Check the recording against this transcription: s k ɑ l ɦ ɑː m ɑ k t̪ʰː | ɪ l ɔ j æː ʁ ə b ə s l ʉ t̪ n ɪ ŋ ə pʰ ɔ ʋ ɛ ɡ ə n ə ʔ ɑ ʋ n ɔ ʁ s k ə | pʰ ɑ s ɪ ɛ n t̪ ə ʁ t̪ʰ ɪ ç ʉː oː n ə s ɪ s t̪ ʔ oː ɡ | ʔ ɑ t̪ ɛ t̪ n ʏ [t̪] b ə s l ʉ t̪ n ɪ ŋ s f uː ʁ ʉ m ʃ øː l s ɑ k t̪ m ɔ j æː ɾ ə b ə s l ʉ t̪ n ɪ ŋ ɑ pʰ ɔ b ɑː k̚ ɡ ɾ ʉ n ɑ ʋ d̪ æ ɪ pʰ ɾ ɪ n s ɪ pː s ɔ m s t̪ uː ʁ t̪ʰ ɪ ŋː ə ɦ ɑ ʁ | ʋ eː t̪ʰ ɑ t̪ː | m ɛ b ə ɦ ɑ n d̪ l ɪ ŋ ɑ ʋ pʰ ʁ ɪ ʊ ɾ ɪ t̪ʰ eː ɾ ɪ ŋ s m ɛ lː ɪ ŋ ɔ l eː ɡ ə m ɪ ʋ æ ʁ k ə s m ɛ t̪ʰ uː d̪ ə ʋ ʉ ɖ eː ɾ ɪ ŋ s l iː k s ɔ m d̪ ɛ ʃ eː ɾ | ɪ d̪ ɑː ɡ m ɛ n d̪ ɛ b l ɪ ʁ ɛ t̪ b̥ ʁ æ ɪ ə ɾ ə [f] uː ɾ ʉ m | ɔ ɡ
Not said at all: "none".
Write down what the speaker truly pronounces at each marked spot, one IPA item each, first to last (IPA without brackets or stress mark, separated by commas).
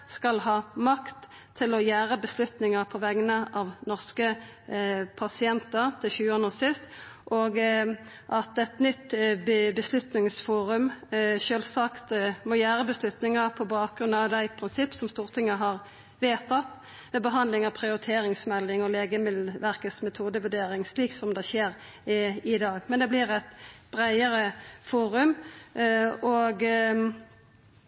t̪, f